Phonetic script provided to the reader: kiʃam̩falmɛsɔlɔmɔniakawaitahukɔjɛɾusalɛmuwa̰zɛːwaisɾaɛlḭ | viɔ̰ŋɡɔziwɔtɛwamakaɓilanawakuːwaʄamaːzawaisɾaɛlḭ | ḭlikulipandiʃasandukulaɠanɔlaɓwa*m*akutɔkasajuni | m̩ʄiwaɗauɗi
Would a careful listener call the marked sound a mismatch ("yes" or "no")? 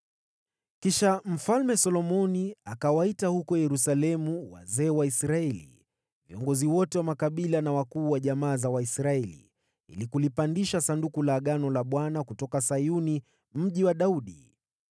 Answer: yes